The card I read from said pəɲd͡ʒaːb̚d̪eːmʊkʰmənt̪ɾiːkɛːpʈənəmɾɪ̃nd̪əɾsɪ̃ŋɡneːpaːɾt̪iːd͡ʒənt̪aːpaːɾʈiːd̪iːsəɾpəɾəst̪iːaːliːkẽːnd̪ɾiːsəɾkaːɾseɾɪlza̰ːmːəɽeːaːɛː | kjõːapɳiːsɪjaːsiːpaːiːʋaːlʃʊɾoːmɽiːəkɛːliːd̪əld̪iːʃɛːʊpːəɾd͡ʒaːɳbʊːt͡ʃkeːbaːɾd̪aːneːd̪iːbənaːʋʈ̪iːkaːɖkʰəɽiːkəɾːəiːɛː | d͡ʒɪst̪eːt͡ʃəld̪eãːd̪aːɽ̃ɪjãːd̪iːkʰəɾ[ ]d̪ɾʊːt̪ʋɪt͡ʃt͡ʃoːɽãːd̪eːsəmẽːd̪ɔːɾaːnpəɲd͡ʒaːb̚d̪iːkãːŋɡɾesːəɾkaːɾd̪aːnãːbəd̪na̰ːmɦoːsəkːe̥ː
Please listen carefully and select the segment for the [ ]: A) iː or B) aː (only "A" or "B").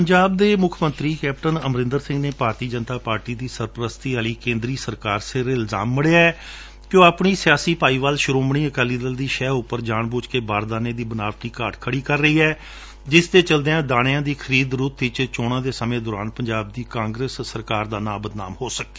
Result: A